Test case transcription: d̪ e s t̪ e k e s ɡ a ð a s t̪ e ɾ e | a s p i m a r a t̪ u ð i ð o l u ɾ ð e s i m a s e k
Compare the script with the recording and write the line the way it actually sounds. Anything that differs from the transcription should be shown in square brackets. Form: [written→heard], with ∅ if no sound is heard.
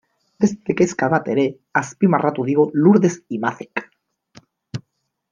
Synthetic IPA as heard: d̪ e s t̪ e k e s [ɡ→k] a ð a [s→∅] t̪ e ɾ e | a s p i m a r a t̪ u ð i [ð→ɣ] o l u ɾ ð e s i m a [s→θ] e k